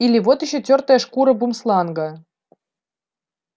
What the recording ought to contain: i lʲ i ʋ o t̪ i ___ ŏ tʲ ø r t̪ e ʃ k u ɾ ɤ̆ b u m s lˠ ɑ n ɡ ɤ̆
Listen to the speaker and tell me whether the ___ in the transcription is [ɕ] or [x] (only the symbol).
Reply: ɕ